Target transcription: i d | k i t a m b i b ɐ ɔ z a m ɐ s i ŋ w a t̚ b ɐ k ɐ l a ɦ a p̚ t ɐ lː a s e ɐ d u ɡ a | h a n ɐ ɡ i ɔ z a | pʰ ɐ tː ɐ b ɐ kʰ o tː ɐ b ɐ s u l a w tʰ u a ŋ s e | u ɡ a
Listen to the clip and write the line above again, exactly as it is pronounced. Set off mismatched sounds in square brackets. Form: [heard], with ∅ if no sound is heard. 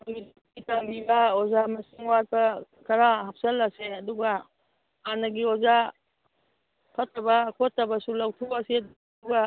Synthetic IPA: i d | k i t a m b i b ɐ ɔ z a m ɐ s i ŋ w a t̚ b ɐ k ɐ [ɾ] a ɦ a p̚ [s] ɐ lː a s e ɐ d u ɡ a | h a n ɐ ɡ i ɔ z a | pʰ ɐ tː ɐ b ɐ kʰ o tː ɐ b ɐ s u l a w tʰ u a [∅] s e | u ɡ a